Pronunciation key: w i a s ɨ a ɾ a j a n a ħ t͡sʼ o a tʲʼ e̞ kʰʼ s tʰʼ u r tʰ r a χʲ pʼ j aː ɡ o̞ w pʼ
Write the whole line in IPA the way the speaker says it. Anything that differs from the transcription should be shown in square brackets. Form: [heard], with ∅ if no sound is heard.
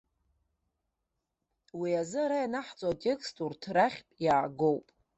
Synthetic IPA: w i a [z] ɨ a ɾ a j a n a ħ t͡sʼ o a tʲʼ e̞ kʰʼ s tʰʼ u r tʰ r a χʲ pʼ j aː ɡ o̞ w pʼ